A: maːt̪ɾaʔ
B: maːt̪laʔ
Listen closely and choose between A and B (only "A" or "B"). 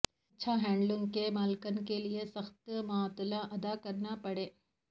B